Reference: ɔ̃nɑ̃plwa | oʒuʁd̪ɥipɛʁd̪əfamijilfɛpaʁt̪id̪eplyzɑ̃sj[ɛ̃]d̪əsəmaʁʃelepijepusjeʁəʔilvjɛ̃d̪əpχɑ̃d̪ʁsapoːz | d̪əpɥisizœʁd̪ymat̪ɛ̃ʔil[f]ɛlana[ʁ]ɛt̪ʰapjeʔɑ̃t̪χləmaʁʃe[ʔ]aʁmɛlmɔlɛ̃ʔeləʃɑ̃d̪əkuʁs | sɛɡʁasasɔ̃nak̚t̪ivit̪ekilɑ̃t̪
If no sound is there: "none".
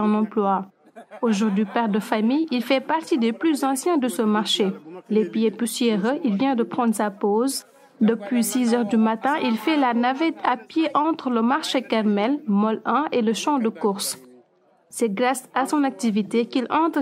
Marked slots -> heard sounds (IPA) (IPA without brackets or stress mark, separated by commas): ɛ̃, f, v, k